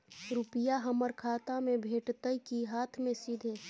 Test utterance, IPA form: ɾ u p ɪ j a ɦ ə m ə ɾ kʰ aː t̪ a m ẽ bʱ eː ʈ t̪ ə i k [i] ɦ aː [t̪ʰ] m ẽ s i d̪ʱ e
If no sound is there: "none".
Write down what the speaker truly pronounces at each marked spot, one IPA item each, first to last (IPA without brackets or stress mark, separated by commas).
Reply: i, t̪ʰ